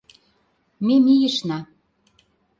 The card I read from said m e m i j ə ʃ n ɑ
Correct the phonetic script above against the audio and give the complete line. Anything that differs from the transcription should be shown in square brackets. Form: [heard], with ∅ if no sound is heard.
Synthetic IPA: m e m i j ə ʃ n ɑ